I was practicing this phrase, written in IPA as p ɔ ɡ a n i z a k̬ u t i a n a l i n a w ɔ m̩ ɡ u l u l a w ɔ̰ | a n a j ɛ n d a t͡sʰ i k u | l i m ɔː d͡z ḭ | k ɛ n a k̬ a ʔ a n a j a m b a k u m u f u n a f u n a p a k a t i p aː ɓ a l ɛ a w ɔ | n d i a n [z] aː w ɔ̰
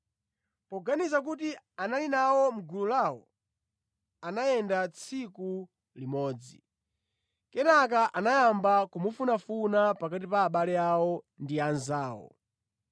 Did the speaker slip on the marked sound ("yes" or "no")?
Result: no